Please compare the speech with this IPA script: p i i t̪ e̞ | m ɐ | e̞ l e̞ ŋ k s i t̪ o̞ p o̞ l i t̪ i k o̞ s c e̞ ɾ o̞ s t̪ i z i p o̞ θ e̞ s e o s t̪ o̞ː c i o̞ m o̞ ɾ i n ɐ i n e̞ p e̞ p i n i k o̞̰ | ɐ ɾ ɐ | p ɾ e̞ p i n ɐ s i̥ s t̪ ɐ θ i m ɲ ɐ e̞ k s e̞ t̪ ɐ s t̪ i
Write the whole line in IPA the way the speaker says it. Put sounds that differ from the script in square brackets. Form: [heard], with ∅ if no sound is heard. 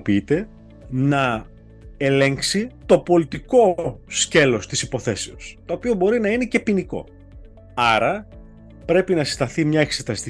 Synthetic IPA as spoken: p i i t̪ e̞ | [n] ɐ | e̞ l e̞ ŋ k s i t̪ o̞ p o̞ l i t̪ i k o̞ s c e̞ [l] o̞ s t̪ i [s] i p o̞ θ e̞ s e o s t̪ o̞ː [p] i o̞ [b] o̞ ɾ i n ɐ i n e̞ [c] e̞ p i n i k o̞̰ | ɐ ɾ ɐ | p ɾ e̞ p i n ɐ s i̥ s t̪ ɐ θ i m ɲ ɐ e̞ k s e̞ t̪ ɐ s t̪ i